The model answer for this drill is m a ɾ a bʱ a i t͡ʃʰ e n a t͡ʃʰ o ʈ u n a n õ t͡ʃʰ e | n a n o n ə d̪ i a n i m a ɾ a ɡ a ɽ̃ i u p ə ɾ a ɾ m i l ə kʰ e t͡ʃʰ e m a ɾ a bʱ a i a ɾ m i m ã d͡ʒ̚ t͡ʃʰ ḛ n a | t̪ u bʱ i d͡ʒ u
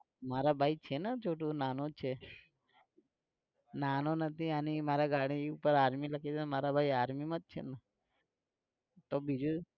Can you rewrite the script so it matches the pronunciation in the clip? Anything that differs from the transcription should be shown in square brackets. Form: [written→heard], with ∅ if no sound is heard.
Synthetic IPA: m a ɾ a bʱ a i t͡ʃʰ e n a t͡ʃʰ o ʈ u n a n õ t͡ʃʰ e | n a n o n ə [d̪→t̪] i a n i m a ɾ a ɡ a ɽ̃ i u p ə ɾ a ɾ m i l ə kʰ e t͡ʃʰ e m a ɾ a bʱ a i a ɾ m i m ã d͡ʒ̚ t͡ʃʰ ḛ n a | t̪ [u→o] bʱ i d͡ʒ u

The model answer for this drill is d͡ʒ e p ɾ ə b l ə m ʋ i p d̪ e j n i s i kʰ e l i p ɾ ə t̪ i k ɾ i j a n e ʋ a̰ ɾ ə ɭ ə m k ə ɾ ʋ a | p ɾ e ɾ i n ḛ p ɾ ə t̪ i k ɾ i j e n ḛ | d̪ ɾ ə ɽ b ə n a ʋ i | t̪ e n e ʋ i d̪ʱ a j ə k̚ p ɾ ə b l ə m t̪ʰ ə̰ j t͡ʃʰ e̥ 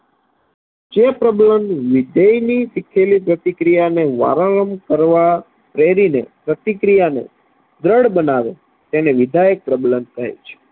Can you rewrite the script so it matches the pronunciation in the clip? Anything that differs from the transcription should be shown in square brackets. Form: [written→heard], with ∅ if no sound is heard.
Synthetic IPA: d͡ʒ e p ɾ ə b l ə m ʋ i [p→∅] d̪ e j n i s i kʰ e l i p ɾ ə t̪ i k ɾ i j a n e ʋ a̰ ɾ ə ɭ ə m k ə ɾ ʋ a | p ɾ e ɾ i n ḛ p ɾ ə t̪ i k ɾ i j [e→a] n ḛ | d̪ ɾ ə ɽ b ə n a ʋ [i→e] | t̪ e n e ʋ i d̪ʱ a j ə k̚ p ɾ ə b l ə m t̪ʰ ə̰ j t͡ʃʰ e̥

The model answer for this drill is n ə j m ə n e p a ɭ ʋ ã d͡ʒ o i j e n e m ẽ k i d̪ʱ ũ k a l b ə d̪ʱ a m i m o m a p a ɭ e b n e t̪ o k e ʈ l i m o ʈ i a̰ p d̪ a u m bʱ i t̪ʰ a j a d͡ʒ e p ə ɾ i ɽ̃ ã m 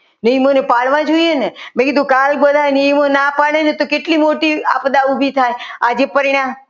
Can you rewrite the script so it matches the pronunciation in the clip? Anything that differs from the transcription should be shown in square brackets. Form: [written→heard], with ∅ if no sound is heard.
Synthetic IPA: n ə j m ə n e p a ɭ ʋ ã d͡ʒ o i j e n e m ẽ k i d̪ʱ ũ k a l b ə d̪ʱ a [m→n] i m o [m→n] a p a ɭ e [b→∅] n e t̪ o k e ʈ l i m o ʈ i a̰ p d̪ a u [m→∅] bʱ i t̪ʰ a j a d͡ʒ e p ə ɾ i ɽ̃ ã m

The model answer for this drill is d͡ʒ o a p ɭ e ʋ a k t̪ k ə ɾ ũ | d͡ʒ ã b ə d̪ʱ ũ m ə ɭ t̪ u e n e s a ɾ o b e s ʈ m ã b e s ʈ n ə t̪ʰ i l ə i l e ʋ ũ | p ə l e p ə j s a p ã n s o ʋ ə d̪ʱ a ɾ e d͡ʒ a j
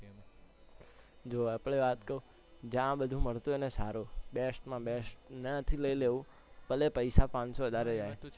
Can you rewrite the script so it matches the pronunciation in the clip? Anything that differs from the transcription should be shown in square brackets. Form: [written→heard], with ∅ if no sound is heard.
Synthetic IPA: d͡ʒ o a p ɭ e ʋ a [k→∅] t̪ k ə ɾ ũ | d͡ʒ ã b ə d̪ʱ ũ m ə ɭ t̪ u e n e s a ɾ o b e s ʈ m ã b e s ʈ n ə t̪ʰ i l ə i l e ʋ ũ | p ə l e p ə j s a p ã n s o ʋ ə d̪ʱ a ɾ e d͡ʒ a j

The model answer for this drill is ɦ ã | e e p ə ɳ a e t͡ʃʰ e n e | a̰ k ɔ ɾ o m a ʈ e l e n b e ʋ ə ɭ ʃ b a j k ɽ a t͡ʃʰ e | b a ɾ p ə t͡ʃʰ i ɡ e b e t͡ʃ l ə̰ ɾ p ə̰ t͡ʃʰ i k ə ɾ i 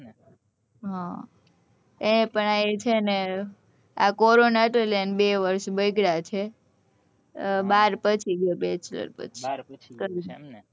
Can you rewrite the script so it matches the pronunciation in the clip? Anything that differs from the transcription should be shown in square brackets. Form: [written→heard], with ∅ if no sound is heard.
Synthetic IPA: ɦ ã | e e p ə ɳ a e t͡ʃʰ e n e | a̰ k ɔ ɾ o [m→n] a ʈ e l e n b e ʋ ə [ɭ→ɾ] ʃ b [a→ə] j [k→ɡ] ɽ a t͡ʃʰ e | b a ɾ p ə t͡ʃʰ i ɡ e b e t͡ʃ l ə̰ ɾ p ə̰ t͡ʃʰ i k ə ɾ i

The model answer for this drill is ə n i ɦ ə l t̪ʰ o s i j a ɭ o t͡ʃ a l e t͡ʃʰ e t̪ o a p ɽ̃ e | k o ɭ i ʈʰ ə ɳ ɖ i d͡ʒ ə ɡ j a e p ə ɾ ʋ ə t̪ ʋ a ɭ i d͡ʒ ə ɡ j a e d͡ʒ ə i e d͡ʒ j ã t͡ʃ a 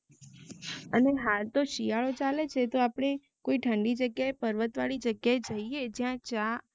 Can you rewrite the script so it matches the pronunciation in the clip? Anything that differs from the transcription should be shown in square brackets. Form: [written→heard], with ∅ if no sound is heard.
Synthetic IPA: ə n [i→e] ɦ [ə→a] l [t̪ʰ→t̪] o [s→ʃ] i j a ɭ o t͡ʃ a l e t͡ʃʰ e t̪ o a p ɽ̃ e | k o [ɭ→∅] i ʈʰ ə ɳ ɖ i d͡ʒ ə ɡ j a e p ə ɾ ʋ ə t̪ ʋ a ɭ i d͡ʒ ə ɡ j a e d͡ʒ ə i e d͡ʒ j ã t͡ʃ a

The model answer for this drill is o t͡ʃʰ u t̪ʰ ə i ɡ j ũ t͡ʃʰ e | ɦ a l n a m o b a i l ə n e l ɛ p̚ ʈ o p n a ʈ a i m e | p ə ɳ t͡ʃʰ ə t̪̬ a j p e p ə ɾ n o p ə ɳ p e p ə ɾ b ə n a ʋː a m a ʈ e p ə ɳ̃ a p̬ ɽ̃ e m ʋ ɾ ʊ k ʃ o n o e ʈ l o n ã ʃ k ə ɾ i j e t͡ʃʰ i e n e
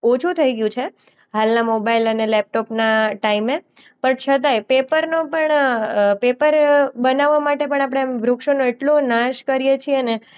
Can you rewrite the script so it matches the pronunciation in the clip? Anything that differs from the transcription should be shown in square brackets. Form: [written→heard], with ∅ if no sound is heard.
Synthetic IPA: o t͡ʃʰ u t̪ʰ ə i ɡ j ũ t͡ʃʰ e | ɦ a l n a m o b a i l ə n e l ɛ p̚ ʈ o p n a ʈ a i m e | p ə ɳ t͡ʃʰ ə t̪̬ a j p e p ə ɾ n o p ə ɳ p e p ə ɾ b ə n a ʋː a m a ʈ e p ə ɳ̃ a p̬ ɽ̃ e m ʋ ɾ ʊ k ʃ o n o e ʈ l o n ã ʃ k ə ɾ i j e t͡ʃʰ i e n e

